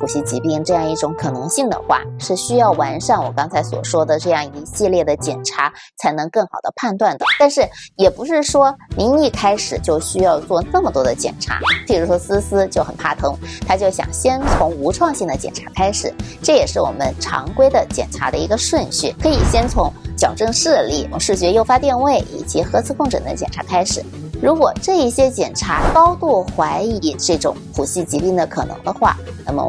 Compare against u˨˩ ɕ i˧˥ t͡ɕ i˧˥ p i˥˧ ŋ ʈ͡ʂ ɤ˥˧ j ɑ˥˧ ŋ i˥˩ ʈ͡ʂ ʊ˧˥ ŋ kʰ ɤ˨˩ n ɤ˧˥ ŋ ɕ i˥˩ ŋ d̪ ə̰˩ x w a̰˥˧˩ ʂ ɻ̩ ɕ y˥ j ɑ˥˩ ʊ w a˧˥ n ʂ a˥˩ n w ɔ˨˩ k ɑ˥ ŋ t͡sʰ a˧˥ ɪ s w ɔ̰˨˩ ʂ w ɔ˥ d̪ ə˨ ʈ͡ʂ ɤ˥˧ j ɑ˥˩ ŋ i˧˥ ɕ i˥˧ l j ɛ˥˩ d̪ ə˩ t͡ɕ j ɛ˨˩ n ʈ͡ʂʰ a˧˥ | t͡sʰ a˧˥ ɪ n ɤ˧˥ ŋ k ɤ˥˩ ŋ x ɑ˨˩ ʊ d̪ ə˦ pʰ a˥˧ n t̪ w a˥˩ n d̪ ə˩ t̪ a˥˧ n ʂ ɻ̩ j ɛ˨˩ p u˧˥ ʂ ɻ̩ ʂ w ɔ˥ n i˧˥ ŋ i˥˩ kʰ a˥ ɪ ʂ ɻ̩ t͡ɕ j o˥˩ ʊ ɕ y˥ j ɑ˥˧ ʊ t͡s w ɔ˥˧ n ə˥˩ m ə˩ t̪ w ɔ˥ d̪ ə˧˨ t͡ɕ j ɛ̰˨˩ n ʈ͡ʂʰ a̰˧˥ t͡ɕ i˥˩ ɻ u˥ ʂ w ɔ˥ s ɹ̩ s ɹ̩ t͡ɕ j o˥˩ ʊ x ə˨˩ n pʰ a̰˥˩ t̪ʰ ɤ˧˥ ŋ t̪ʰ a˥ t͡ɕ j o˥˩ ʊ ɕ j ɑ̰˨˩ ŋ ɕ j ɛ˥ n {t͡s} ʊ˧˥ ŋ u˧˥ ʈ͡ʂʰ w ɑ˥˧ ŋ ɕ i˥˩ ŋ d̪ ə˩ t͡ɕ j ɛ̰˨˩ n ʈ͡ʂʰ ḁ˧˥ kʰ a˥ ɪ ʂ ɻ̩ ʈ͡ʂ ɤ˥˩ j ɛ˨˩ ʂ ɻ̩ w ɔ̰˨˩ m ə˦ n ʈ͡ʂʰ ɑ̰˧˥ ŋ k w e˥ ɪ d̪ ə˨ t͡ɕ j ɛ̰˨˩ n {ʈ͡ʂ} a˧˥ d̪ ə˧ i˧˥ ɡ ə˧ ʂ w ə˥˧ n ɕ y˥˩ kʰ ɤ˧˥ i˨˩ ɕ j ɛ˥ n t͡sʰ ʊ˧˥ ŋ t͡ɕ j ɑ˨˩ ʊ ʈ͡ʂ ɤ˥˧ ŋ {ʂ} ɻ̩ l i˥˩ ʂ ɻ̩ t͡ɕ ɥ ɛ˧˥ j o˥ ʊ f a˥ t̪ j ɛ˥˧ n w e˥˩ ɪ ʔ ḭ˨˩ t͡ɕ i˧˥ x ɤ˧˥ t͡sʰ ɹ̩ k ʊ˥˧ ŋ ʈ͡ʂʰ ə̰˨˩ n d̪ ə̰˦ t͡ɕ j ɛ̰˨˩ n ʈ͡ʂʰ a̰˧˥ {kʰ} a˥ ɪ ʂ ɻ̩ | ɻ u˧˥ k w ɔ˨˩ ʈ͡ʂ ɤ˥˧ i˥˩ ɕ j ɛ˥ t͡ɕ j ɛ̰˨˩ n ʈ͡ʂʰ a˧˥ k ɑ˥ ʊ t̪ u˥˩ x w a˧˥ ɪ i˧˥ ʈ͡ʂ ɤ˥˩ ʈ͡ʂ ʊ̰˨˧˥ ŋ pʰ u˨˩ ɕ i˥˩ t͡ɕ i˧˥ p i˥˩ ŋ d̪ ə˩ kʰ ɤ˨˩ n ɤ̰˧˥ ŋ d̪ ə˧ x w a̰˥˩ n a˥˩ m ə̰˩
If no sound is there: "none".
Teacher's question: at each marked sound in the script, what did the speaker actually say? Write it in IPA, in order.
t͡sʰ, ʈ͡ʂʰ, ʂ, kʰ

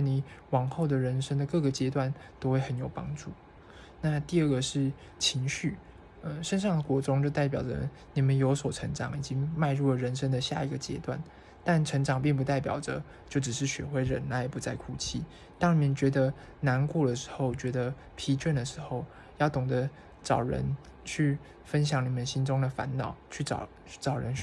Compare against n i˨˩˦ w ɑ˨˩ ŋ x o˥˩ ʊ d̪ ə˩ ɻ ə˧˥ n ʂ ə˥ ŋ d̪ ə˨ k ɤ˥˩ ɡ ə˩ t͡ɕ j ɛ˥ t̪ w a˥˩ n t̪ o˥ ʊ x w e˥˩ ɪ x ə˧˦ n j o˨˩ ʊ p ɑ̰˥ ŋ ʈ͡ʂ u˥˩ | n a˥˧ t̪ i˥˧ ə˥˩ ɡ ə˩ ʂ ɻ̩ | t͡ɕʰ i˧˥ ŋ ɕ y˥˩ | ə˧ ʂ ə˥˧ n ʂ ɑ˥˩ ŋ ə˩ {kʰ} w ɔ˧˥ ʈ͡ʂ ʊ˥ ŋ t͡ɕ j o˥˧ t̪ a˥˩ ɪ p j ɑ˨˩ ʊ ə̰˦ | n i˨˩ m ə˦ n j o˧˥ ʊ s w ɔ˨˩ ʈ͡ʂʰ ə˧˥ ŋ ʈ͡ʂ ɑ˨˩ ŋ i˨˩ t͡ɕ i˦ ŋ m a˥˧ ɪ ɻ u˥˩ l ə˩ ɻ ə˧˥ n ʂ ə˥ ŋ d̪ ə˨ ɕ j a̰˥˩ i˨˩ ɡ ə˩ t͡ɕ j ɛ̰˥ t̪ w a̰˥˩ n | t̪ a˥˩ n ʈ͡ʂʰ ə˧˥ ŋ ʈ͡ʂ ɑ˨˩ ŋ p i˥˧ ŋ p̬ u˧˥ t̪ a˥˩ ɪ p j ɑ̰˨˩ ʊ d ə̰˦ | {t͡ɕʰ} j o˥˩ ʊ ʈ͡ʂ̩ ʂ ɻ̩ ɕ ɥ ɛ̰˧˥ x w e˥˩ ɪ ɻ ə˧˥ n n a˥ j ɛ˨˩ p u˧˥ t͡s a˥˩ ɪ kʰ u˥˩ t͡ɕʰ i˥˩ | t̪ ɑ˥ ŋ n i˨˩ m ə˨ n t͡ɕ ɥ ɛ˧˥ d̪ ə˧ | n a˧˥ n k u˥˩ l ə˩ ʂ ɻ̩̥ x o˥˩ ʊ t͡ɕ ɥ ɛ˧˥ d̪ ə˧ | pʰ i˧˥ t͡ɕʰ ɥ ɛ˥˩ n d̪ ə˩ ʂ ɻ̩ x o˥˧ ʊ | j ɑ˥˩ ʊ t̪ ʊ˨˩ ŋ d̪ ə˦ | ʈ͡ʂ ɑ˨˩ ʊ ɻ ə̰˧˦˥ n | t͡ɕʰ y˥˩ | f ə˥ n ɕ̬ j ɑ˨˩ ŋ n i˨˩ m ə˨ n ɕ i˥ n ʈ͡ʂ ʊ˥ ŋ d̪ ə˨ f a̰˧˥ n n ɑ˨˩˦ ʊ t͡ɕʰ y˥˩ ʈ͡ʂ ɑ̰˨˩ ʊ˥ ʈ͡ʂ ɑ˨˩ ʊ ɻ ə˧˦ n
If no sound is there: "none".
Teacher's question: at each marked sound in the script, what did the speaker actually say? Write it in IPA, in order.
k, t͡ɕ

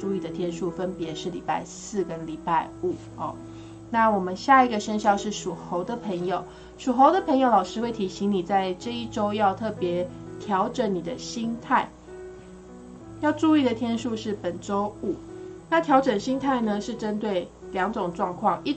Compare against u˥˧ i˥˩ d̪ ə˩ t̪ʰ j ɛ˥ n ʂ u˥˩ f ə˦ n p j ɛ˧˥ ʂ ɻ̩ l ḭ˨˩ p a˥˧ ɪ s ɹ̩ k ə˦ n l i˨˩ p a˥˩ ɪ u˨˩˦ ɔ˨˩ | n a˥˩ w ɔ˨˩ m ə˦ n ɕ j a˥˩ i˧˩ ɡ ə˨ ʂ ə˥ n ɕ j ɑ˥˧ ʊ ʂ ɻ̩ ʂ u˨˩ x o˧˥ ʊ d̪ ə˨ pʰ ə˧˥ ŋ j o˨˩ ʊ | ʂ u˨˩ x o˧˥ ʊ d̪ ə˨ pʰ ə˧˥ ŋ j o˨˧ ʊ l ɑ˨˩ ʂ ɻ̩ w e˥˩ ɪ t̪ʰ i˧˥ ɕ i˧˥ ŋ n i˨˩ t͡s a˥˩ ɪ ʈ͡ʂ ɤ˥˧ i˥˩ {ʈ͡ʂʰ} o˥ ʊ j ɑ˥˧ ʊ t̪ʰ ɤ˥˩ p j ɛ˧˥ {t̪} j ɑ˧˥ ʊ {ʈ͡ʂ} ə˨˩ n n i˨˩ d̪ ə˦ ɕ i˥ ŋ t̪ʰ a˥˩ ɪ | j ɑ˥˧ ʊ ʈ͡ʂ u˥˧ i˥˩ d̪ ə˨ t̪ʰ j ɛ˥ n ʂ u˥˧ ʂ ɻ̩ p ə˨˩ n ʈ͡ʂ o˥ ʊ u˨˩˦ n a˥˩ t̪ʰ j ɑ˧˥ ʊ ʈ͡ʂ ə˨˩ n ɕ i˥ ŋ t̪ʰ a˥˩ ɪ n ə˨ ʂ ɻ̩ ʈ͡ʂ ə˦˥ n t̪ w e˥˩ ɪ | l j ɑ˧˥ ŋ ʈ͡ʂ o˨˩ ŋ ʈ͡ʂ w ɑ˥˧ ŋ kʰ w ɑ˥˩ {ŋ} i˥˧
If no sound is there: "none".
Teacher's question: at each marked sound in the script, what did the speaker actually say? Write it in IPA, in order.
ʈ͡ʂ, t̪ʰ, ʈ͡ʂ, ŋ

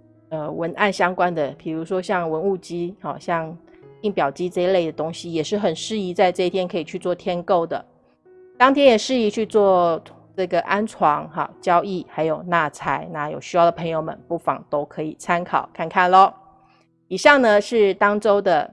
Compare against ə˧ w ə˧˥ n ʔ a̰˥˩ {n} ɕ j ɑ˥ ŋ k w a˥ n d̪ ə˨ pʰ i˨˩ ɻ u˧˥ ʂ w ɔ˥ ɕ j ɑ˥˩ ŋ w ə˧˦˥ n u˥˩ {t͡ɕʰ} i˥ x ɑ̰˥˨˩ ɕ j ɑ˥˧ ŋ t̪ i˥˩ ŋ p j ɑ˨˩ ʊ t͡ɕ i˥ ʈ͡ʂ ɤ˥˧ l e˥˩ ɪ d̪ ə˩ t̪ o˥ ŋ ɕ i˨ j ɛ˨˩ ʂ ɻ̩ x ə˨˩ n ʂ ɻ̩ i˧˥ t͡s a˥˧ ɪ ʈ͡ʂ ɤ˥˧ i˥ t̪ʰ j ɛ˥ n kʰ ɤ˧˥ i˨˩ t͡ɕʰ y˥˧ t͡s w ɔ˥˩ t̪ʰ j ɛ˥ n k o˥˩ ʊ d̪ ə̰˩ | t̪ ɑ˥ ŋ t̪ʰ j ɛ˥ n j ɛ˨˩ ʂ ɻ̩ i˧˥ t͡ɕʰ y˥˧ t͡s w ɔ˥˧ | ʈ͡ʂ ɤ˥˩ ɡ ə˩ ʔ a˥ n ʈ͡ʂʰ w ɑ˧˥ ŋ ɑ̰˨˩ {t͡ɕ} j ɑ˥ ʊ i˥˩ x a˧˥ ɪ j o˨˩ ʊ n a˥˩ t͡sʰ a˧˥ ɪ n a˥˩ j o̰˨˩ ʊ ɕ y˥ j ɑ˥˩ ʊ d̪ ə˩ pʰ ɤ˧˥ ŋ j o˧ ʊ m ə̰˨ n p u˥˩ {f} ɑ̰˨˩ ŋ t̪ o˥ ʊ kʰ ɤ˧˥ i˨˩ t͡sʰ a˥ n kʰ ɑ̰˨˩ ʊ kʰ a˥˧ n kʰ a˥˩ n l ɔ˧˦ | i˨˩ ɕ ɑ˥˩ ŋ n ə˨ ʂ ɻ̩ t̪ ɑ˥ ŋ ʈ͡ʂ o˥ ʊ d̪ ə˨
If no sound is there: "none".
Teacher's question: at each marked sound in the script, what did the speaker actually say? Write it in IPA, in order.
n, t͡ɕ, t͡ɕ, f

